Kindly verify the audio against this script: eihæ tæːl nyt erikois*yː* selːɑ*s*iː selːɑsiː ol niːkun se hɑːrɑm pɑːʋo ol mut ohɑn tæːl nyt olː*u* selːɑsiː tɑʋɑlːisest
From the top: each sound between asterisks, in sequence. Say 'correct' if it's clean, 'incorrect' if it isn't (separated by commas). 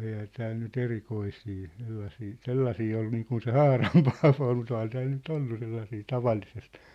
incorrect, correct, correct